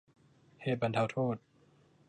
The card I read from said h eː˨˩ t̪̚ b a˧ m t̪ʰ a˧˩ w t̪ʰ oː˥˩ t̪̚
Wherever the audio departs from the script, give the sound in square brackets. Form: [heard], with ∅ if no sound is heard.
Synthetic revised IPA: h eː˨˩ t̪̚ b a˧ [n] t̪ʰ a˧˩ w t̪ʰ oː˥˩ t̪̚